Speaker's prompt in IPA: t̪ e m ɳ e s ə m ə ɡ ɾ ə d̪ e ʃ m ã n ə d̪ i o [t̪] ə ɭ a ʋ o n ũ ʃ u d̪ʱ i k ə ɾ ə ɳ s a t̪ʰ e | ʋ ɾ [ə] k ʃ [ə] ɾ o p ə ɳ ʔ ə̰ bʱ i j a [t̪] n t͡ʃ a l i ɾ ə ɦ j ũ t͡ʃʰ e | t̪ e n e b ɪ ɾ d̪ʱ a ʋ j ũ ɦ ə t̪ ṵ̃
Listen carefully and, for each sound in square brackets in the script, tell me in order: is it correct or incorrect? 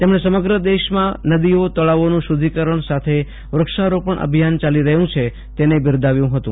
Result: correct, correct, incorrect: a, incorrect: none

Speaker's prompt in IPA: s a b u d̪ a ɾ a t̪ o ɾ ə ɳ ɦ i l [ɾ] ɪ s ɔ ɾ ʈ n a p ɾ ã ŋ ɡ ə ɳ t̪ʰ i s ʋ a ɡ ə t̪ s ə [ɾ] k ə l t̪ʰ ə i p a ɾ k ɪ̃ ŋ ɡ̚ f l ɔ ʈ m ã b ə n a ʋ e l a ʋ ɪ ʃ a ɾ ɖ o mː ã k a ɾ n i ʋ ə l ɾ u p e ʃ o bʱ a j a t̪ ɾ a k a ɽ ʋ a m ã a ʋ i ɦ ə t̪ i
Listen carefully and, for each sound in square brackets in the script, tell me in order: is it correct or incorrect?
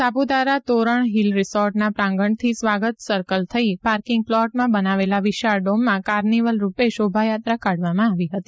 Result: correct, correct

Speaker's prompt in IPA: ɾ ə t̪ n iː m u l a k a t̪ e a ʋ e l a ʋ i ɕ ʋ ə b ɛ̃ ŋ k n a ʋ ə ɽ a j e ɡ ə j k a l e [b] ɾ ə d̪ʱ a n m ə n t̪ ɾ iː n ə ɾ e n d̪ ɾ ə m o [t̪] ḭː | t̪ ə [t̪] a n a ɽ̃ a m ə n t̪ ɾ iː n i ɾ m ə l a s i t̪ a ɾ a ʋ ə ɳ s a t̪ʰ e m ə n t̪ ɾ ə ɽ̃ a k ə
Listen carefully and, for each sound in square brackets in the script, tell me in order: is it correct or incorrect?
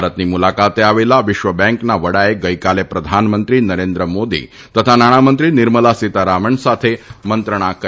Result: incorrect: p, incorrect: d̪, incorrect: t̪ʰ

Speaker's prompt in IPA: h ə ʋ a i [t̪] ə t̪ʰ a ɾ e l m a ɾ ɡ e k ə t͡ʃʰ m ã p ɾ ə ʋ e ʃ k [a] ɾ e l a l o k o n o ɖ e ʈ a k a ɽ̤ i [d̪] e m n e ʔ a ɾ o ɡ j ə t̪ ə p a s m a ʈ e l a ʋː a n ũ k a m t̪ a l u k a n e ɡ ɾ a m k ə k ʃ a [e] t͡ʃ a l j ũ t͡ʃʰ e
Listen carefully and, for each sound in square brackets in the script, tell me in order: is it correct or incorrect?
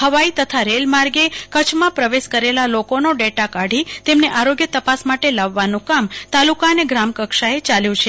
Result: correct, incorrect: ə, incorrect: t̪, correct

